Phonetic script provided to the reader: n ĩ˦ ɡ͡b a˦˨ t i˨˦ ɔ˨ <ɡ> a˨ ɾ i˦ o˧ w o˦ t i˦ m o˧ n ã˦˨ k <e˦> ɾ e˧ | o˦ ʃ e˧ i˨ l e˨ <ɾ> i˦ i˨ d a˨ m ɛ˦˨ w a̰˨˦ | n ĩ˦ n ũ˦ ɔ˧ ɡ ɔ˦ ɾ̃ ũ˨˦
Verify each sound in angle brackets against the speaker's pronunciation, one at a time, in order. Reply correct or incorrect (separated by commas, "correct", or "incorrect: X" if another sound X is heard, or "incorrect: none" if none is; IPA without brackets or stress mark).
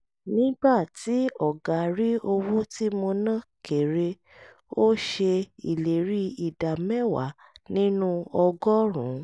correct, incorrect: e˨, correct